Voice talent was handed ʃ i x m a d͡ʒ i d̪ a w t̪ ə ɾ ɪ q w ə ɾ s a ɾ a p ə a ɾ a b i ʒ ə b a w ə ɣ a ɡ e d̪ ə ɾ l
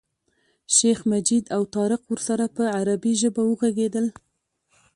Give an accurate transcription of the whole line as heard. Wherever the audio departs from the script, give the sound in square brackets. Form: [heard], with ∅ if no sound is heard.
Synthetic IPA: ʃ [e] x m a d͡ʒ i d̪ a w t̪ [ɑ] ɾ ɪ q w ə ɾ s a ɾ a p ə a ɾ a b i ʒ ə b a w ə ɣ a ɡ e d̪ ə [∅] l